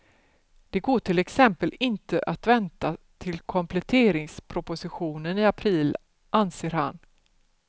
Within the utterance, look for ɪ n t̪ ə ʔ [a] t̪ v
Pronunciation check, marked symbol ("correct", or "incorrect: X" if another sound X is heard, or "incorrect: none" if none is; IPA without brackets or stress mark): correct